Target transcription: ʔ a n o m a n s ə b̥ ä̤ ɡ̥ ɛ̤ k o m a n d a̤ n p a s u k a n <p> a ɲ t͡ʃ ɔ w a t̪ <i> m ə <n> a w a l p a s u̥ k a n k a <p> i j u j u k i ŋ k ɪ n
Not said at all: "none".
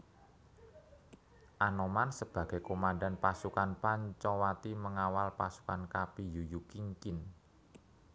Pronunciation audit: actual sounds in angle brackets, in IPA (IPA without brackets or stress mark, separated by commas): p, i, ŋ, p